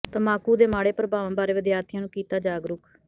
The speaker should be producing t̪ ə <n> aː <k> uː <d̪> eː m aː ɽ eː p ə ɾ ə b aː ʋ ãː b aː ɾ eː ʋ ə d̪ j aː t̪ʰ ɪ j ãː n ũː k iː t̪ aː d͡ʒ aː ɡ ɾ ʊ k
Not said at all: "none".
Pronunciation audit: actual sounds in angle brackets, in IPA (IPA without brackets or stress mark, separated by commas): m, k, d̪